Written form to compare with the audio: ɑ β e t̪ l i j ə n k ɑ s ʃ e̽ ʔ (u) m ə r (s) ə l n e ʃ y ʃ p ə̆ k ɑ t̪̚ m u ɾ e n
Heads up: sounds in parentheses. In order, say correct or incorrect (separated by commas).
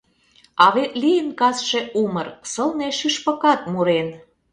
correct, correct